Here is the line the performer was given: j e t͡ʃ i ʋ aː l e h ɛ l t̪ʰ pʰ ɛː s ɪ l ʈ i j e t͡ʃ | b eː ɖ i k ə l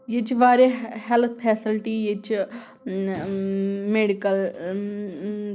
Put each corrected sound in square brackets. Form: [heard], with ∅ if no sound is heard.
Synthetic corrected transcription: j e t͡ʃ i ʋ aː [ɾ] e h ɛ l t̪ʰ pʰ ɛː s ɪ l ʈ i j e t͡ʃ | [m] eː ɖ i k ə l